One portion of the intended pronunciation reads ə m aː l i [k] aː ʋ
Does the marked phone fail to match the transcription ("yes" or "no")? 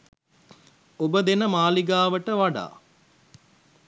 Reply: yes